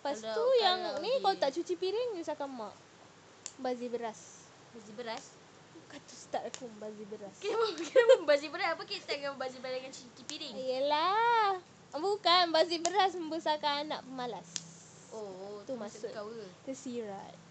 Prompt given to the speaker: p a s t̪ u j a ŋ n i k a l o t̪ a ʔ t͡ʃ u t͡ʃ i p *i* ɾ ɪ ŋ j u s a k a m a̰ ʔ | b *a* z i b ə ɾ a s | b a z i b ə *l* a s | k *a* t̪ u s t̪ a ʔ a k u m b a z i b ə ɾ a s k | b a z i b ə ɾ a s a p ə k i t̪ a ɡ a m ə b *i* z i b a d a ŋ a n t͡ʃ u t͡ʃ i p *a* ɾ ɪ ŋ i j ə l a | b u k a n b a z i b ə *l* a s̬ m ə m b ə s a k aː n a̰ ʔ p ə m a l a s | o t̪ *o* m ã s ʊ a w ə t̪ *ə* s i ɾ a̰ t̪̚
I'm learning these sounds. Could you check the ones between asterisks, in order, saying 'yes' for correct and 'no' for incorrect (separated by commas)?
yes, yes, no, yes, no, no, no, no, yes